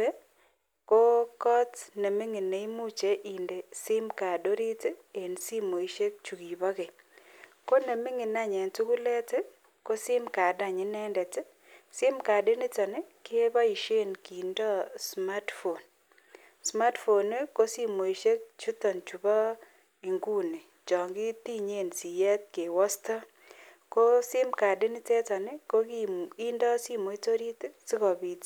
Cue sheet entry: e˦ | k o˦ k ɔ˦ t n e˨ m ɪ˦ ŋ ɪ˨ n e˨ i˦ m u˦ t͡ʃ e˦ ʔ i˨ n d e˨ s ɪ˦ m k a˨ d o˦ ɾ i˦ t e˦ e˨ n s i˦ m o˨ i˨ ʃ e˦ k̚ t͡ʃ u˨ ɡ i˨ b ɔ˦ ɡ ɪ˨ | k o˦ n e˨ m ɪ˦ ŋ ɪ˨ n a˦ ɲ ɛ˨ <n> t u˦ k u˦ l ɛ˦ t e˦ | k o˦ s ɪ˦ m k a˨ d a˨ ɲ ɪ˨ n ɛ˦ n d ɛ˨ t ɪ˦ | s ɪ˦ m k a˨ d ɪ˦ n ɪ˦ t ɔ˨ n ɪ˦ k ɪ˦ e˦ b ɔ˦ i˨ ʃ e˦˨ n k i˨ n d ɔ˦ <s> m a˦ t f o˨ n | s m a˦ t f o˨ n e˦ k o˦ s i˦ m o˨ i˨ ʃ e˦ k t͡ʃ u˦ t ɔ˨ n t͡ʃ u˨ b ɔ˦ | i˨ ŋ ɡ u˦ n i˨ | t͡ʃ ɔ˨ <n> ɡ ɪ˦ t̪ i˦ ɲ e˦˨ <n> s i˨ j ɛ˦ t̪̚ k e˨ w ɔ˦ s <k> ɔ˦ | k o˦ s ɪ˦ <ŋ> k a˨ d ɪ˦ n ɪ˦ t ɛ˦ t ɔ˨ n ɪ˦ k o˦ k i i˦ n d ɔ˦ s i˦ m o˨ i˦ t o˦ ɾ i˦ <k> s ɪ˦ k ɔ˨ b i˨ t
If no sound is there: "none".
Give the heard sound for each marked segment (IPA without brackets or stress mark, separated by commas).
n, s, ŋ, n, t, m, t